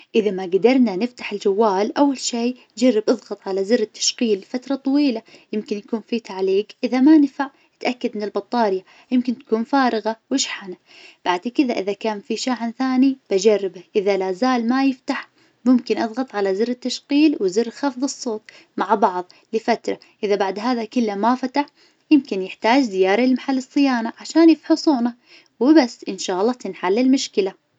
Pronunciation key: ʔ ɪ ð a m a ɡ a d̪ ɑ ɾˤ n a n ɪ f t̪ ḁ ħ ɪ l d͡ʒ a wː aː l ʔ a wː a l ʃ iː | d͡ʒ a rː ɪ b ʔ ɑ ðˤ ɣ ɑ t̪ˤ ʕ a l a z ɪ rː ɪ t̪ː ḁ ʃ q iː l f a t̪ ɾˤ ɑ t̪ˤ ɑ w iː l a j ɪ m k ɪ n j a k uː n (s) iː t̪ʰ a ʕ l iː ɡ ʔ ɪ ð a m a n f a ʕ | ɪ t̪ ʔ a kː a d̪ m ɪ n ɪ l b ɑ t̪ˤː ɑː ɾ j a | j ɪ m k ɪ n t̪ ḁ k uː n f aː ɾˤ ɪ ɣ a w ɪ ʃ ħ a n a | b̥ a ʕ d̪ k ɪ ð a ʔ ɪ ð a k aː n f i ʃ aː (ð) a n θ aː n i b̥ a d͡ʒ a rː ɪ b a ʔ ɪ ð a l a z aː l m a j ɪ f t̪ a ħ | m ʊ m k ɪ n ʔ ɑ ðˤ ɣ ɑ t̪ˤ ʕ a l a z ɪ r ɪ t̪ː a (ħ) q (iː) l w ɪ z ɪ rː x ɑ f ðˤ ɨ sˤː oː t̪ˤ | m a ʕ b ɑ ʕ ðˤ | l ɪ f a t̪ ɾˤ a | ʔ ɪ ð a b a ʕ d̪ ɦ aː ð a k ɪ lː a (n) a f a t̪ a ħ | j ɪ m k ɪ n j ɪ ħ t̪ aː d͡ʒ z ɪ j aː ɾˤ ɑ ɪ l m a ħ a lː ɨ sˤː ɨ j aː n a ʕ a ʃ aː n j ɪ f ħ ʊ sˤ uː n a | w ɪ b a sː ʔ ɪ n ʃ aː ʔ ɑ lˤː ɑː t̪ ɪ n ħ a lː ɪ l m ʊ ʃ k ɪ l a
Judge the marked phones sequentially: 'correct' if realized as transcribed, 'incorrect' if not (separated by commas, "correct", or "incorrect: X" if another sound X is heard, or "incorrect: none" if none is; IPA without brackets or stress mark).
incorrect: f, incorrect: ʕ, incorrect: ʃ, correct, incorrect: m